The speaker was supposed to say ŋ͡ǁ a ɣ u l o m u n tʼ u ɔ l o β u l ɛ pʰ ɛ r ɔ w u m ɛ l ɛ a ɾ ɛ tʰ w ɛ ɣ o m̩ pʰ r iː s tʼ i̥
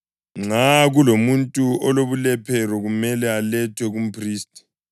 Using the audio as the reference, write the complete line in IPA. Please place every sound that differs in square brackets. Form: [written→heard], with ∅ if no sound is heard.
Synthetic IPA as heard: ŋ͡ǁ a ɣ u l o m u n tʼ u ɔ l o β u l ɛ pʰ ɛ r ɔ [w→ɣ] u m ɛ l ɛ a [ɾ→l] ɛ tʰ w ɛ ɣ [o→u] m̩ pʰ r iː s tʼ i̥